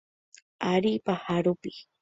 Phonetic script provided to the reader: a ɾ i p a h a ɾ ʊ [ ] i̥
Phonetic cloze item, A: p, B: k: A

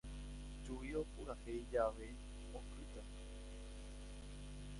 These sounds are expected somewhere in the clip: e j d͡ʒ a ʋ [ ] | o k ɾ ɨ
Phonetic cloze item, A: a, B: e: B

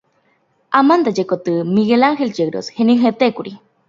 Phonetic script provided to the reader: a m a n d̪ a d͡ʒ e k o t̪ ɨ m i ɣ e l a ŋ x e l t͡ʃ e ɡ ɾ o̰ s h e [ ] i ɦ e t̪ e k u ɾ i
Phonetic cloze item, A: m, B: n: B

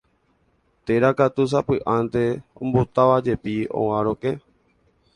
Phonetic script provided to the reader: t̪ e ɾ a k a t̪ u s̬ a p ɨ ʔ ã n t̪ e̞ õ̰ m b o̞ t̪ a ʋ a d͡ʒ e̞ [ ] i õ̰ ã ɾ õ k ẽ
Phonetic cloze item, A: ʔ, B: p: B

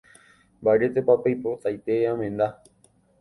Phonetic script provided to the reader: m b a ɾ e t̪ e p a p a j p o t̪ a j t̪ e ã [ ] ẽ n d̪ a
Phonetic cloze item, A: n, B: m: B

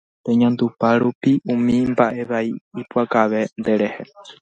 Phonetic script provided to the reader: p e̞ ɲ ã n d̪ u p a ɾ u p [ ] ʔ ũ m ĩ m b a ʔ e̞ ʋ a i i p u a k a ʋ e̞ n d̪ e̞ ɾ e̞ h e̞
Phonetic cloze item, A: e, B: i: B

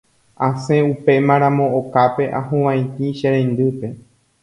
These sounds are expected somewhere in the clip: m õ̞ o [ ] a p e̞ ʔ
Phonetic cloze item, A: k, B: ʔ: A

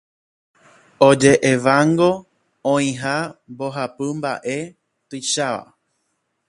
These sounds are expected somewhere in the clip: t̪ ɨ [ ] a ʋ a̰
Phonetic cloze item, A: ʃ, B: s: A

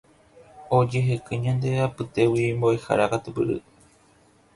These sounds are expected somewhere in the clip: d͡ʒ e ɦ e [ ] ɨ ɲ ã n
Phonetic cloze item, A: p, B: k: B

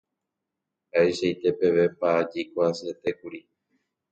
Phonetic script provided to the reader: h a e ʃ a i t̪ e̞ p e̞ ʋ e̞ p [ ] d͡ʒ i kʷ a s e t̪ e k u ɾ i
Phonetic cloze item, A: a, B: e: A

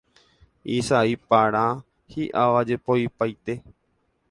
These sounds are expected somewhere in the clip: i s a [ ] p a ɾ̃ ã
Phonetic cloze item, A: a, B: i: B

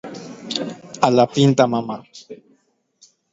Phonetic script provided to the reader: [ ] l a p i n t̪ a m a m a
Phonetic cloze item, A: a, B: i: A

